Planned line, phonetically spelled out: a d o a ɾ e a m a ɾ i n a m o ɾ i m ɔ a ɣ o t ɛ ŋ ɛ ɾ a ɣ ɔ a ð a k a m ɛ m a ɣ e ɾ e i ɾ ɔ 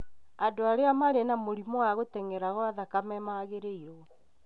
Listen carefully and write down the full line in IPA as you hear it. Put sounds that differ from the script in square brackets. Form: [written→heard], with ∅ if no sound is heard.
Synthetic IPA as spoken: a d o a ɾ e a m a ɾ [i→e] n a m o ɾ i m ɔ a ɣ o t ɛ ŋ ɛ ɾ a ɣ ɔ a ð a k a m ɛ m a ɣ e ɾ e i ɾ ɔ